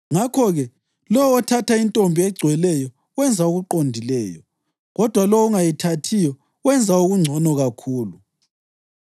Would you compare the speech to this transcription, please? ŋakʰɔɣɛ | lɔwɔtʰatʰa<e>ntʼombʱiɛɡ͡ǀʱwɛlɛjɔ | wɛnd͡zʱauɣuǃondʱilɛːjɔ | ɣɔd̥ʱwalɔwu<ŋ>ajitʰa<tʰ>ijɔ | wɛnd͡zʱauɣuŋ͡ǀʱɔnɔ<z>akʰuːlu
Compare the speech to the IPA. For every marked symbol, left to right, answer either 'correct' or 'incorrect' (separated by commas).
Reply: incorrect, correct, correct, incorrect